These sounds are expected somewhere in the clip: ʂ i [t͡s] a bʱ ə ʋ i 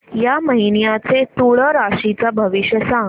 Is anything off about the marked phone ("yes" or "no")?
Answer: no